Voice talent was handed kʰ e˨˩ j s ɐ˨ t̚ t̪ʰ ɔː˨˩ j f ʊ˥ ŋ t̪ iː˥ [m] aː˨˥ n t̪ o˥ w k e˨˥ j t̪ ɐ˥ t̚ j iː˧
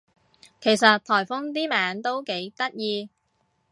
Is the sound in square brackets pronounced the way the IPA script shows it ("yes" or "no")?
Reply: yes